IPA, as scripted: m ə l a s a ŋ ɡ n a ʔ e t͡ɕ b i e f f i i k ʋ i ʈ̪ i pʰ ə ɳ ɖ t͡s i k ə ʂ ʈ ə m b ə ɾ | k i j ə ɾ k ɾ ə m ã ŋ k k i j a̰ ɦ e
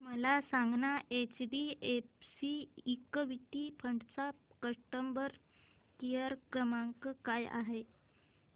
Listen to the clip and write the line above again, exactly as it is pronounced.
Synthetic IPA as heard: m ə l a s a ŋ ɡ n a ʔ e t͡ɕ b i e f s i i k ʋ i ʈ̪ i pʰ ə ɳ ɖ t͡s a k ə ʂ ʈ ə m b ə ɾ | k i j ə ɾ k ɾ ə m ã ŋ k k a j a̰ ɦ e